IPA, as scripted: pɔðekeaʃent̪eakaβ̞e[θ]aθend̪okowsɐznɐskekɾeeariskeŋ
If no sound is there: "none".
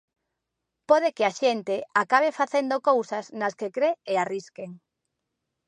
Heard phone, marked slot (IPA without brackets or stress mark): f